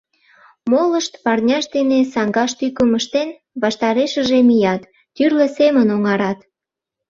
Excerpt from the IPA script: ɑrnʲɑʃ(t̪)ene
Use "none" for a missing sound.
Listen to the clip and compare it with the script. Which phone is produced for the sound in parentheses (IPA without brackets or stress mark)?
d̪